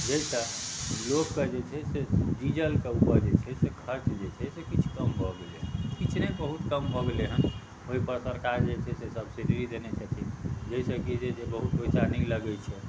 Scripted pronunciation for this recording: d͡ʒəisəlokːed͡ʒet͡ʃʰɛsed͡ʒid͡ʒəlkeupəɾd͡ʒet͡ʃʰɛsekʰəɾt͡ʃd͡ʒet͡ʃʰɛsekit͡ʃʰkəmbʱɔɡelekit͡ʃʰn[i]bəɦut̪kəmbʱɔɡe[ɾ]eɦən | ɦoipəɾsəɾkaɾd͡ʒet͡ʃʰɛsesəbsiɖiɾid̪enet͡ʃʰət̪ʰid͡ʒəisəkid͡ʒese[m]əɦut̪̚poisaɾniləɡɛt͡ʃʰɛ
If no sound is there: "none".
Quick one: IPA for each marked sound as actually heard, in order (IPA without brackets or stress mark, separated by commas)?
e, l, b